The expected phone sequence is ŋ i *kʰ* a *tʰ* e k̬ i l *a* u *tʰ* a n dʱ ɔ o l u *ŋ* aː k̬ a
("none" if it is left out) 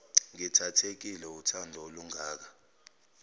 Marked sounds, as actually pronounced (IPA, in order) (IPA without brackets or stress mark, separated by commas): tʰ, tʰ, ɛ, tʰ, ŋ